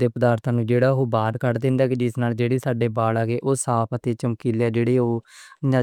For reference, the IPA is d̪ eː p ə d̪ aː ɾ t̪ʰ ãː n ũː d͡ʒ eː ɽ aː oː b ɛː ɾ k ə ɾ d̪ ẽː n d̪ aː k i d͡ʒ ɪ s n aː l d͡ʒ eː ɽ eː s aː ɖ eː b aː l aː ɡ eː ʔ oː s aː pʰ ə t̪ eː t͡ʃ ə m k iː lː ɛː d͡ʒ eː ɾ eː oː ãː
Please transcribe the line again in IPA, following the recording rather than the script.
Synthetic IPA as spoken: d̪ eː p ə d̪ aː ɾ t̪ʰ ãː n ũː d͡ʒ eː ɽ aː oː b aː ɾ k ə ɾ d̪ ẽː n d̪ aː k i d͡ʒ ɪ s n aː l d͡ʒ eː ɽ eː s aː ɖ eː b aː l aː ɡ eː ʔ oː s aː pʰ ə t̪ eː t͡ʃ ə m k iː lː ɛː d͡ʒ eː ɽ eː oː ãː

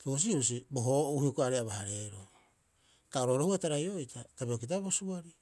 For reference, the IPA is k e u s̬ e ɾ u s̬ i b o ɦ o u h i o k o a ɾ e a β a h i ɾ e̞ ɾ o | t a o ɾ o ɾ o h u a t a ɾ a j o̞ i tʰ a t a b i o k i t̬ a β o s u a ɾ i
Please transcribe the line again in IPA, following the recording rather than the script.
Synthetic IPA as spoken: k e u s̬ i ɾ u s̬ i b o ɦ o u h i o k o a ɾ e a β a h a ɾ e̞ ɾ o | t a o ɾ o ɾ o h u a t a ɾ a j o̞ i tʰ a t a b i o k i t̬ a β o s u a ɾ i

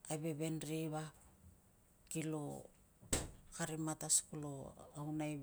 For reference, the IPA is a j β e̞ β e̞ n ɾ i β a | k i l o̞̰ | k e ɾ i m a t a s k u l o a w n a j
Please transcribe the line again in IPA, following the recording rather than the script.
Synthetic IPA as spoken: a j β e̞ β e̞ n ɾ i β a | k i l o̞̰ | k a ɾ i m a t a s k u l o a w n a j

